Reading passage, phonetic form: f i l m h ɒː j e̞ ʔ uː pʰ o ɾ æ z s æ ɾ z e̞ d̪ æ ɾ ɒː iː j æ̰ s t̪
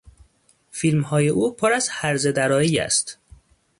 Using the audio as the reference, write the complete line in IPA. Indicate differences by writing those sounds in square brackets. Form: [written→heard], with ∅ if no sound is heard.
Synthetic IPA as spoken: f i l m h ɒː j e̞ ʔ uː pʰ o ɾ æ z [s→h] æ ɾ z e̞ d̪ æ ɾ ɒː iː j æ̰ s t̪